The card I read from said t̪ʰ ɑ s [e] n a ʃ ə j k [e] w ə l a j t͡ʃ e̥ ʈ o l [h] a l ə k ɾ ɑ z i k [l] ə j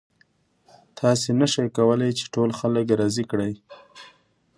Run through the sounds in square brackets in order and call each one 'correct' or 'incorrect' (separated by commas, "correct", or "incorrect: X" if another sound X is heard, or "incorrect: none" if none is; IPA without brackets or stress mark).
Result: correct, incorrect: a, incorrect: x, incorrect: ɽ